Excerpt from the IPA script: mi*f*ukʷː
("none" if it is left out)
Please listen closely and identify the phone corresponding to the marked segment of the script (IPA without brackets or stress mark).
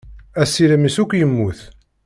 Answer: s